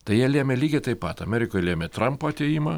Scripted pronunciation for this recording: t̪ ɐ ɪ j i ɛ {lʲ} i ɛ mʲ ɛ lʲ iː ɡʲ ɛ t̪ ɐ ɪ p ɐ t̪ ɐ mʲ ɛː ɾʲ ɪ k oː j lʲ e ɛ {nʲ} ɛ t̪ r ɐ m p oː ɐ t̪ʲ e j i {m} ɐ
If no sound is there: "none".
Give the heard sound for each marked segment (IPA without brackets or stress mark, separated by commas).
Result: lʲ, mʲ, m